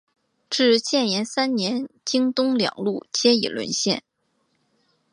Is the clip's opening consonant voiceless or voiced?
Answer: voiceless